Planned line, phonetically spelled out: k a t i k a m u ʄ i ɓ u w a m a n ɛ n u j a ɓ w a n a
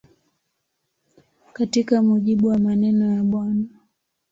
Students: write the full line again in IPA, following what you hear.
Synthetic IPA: k a t i k a m u ʄ i ɓ u w a m a n ɛ n ɔ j a ɓ w a n a